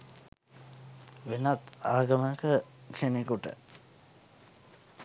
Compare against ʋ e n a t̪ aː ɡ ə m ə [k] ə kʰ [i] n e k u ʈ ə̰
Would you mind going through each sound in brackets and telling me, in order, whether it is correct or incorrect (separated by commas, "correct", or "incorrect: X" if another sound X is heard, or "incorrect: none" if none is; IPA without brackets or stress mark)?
correct, incorrect: e